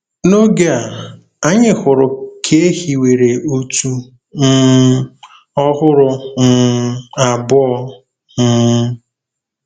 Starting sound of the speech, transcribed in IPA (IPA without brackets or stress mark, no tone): n